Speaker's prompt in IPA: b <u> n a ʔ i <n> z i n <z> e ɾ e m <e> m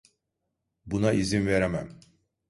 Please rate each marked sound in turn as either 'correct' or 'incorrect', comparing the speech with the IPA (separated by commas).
correct, incorrect, incorrect, incorrect